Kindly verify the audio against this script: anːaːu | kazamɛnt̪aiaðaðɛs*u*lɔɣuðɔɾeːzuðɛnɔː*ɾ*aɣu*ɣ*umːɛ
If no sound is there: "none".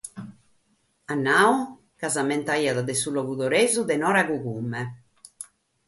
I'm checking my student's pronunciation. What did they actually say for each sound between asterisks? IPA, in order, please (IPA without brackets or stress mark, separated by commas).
u, ɾ, ɣ